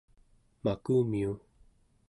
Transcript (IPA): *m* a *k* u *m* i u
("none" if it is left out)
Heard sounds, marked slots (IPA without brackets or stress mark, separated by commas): m, k, m